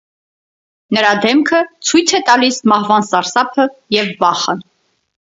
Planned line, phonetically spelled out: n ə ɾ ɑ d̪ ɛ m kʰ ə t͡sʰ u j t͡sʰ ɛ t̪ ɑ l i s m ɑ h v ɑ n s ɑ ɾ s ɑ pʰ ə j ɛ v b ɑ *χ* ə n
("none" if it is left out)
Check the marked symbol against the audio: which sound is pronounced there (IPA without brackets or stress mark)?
χ